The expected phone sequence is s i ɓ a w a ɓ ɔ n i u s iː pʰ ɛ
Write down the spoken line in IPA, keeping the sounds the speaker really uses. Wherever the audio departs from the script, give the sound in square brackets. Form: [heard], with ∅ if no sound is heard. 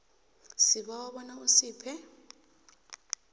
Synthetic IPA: s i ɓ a w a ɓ ɔ n [a] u s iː pʰ ɛ